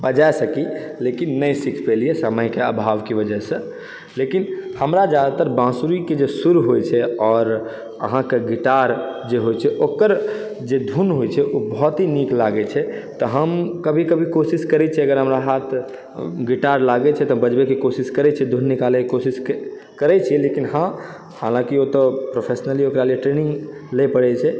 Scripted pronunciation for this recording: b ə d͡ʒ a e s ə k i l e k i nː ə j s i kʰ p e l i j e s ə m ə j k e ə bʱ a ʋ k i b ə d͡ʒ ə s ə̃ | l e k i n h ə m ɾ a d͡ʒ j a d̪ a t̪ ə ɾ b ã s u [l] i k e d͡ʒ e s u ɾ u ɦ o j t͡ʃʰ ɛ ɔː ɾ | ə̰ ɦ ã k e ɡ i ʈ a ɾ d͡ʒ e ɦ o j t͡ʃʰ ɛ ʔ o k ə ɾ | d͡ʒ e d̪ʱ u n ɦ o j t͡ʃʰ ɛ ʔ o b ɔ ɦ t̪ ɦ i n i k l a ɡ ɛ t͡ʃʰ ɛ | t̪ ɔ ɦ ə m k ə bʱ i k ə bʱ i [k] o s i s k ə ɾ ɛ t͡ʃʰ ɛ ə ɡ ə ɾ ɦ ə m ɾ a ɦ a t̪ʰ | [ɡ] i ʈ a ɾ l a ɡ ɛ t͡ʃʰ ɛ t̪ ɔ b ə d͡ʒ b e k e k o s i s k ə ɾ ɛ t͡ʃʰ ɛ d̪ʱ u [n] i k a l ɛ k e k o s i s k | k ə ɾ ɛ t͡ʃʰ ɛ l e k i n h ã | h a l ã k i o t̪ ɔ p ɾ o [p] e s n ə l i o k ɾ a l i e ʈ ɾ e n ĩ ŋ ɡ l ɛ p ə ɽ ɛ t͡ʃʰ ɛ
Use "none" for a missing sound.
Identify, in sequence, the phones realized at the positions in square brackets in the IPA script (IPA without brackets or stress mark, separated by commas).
ɾ, k, ɡ, nː, pʰ